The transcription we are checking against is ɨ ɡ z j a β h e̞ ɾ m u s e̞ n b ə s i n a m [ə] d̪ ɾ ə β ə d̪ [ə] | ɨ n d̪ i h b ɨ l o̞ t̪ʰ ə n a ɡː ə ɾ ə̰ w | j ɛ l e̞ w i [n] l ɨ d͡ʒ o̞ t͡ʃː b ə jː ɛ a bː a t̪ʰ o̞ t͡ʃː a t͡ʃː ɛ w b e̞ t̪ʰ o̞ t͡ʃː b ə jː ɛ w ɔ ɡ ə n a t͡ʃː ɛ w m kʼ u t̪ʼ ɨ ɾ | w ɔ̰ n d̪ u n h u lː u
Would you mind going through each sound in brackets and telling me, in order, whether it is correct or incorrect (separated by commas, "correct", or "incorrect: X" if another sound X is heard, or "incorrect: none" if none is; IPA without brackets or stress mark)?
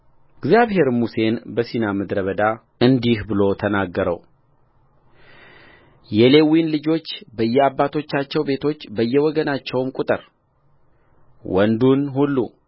correct, incorrect: a, correct